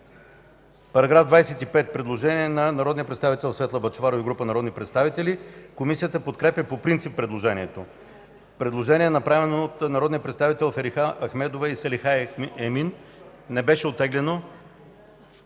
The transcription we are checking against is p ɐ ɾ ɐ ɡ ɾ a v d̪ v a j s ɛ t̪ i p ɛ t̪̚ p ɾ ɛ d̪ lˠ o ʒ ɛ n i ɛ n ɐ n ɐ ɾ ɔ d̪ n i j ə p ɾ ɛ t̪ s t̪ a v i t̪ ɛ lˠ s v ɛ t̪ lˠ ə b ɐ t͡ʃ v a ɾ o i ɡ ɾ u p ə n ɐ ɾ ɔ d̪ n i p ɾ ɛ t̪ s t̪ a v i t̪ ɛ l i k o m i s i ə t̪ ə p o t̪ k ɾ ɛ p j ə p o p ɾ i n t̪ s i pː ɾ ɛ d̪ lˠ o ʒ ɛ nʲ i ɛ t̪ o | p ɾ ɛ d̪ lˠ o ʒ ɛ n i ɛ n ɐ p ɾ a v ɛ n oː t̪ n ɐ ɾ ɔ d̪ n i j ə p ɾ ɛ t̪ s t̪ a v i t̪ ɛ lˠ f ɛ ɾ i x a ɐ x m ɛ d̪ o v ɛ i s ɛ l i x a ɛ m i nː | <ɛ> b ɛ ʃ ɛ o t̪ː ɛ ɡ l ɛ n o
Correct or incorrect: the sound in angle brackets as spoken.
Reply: correct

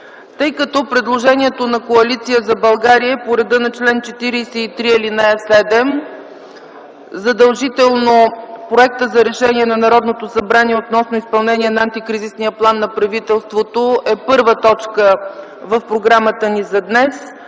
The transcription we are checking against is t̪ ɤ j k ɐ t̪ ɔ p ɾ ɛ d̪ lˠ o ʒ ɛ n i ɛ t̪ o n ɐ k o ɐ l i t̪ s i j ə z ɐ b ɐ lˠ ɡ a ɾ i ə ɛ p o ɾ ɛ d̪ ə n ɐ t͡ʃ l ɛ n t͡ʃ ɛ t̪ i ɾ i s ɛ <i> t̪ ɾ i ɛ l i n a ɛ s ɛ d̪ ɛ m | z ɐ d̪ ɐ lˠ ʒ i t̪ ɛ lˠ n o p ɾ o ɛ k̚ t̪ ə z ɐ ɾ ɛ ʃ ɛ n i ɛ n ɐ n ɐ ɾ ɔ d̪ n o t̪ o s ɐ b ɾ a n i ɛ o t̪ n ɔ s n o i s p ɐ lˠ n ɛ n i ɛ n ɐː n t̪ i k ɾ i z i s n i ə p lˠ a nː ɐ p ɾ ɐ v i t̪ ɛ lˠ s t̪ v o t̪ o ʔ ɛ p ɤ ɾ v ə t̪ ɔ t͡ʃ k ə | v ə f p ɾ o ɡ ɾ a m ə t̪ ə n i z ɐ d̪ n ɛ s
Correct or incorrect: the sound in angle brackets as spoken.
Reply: correct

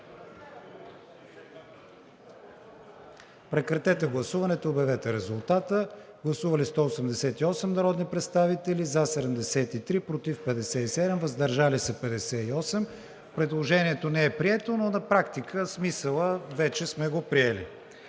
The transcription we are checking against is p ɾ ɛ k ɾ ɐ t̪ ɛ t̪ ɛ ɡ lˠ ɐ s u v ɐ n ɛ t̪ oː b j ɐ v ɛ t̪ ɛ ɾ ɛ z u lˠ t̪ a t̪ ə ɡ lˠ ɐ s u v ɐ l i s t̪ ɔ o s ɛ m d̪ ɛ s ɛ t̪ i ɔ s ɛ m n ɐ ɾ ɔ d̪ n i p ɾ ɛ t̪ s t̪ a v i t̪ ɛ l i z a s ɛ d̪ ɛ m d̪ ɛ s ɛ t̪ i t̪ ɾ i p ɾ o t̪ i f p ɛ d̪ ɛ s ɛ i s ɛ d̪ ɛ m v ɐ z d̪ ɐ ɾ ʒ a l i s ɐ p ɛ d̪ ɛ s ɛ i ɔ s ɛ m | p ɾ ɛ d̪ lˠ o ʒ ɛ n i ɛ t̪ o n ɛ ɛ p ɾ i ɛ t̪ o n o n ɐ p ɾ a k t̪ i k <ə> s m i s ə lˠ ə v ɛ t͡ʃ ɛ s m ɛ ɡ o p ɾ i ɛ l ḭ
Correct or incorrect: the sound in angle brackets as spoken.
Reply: correct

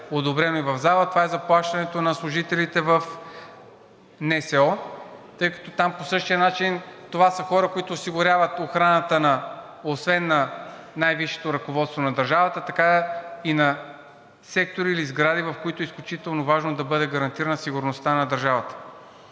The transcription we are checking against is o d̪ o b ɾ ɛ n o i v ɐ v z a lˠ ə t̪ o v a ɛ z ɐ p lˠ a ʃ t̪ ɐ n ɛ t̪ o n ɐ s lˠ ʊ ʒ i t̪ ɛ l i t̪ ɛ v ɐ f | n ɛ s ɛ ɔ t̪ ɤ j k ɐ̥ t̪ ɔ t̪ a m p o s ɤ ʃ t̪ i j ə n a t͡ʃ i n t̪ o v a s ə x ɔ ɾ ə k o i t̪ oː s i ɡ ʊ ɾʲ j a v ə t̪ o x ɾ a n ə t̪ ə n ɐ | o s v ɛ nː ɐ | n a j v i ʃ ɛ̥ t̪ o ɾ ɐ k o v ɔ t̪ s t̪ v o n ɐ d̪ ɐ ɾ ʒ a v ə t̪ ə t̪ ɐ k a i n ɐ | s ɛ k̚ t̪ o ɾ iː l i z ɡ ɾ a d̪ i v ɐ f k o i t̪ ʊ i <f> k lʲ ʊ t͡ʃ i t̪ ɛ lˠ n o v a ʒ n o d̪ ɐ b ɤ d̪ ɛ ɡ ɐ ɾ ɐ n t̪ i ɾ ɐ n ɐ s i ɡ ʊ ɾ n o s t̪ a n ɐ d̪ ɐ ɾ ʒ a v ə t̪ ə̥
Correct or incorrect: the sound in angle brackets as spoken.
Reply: incorrect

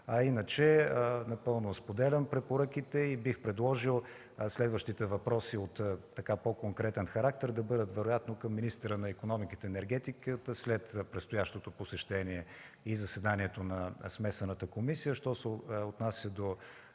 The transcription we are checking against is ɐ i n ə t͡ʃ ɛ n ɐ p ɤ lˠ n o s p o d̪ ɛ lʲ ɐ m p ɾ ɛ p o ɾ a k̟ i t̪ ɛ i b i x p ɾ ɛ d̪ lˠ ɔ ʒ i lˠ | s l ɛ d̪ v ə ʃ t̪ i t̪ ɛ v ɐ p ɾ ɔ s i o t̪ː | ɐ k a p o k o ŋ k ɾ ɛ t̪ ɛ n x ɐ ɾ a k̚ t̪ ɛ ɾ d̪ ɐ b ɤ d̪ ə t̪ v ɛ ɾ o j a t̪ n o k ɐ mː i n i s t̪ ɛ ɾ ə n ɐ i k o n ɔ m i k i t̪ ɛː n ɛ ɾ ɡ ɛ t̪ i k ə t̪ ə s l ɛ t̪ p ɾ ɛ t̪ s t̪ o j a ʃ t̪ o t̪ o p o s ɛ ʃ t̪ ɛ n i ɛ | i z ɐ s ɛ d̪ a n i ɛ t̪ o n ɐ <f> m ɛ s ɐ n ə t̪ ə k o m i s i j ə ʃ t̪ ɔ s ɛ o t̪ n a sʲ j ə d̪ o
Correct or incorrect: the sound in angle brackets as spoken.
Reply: incorrect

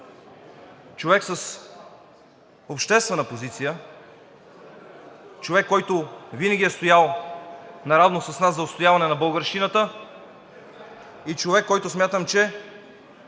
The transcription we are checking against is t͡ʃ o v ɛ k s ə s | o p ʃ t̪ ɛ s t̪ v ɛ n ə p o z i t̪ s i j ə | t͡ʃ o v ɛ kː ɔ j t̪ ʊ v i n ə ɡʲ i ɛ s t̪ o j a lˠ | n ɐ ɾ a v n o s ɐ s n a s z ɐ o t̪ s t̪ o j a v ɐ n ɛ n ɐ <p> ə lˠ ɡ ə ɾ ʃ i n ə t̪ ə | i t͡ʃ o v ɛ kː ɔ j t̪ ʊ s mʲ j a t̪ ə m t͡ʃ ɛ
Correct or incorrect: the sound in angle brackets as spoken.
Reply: incorrect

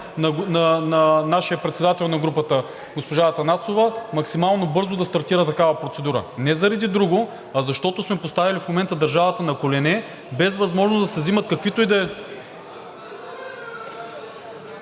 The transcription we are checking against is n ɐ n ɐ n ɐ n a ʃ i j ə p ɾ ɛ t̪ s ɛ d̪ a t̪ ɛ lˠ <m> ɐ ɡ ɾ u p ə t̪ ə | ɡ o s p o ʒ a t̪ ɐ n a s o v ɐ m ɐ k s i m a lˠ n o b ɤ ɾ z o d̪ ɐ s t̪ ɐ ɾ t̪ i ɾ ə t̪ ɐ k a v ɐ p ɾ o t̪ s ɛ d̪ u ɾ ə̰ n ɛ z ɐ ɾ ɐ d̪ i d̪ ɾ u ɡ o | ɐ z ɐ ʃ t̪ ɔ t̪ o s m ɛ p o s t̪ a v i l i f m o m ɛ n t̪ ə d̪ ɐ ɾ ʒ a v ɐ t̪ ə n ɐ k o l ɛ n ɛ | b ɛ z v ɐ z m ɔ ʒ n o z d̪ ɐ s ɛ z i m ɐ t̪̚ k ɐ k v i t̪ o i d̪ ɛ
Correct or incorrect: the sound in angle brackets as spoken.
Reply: incorrect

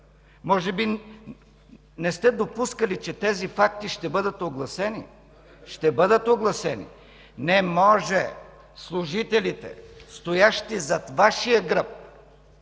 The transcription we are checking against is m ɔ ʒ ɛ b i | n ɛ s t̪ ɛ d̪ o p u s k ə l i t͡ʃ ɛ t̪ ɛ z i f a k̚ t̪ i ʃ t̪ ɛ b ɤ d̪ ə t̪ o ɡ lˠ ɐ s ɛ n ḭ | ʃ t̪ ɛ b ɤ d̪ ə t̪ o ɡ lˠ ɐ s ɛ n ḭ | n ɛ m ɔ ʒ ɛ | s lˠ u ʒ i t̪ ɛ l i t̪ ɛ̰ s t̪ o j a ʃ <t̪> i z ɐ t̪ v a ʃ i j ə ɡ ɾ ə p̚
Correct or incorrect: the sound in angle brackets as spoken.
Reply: correct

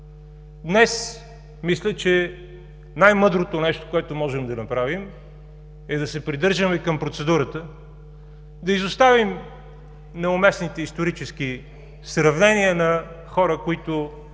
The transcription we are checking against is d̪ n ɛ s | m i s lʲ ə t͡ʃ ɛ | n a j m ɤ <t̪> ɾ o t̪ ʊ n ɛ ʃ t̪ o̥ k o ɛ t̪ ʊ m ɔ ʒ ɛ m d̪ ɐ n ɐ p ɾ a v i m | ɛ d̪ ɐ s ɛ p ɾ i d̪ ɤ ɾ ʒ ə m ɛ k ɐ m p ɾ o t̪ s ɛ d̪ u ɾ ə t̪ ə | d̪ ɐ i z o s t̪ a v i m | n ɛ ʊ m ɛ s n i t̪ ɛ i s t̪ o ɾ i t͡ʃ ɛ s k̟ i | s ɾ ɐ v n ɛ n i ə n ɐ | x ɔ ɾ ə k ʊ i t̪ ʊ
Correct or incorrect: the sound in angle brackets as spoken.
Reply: incorrect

